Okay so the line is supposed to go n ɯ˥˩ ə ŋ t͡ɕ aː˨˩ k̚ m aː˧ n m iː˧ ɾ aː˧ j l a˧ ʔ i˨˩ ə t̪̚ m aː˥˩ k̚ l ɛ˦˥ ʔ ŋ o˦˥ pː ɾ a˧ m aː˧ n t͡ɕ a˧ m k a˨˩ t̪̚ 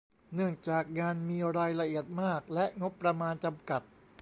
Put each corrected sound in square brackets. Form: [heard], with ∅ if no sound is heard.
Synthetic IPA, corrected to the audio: n ɯ˥˩ ə ŋ t͡ɕ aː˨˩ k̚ [ŋ] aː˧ n m iː˧ ɾ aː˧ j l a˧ ʔ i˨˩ ə t̪̚ m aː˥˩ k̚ l ɛ˦˥ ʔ ŋ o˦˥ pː ɾ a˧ m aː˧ n t͡ɕ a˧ m k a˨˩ t̪̚